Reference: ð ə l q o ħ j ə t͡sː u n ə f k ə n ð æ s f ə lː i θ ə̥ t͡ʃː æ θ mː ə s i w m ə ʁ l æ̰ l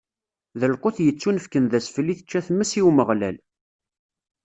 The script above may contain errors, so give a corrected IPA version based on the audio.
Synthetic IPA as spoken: ð ə l q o θ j ə t͡sː u n ə f k ə n ð æ s f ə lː i θ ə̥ t͡ʃː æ θ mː ə s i w m ə ʁ l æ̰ l